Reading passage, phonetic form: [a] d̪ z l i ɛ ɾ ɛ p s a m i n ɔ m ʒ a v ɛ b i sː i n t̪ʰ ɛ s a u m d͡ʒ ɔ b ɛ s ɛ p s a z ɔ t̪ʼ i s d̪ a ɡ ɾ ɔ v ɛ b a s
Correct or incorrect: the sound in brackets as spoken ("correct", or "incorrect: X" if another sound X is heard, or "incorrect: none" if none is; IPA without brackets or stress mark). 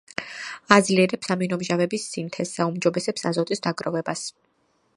correct